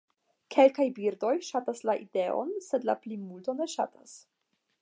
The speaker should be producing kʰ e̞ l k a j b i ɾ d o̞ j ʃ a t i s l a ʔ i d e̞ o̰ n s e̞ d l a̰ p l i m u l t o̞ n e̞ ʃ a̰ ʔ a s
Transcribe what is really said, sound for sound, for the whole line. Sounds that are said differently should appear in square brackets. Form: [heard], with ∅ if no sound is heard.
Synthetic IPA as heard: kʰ e̞ l k a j b i ɾ d o̞ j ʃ a t [a] s l a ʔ i d e̞ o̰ n s e̞ d l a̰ p l i m u l t o̞ n e̞ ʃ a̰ [t] a s